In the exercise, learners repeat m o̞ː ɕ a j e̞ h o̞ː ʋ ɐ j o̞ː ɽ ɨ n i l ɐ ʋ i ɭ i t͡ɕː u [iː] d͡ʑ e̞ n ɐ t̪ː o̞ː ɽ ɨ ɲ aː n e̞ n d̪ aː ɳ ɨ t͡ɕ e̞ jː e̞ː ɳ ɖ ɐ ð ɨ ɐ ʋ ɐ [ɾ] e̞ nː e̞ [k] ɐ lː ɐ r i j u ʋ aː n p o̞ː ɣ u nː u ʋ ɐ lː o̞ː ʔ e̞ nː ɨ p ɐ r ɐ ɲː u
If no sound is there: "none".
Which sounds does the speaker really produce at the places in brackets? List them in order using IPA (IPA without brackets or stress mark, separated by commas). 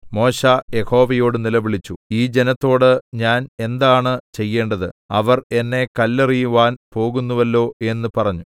iː, r, k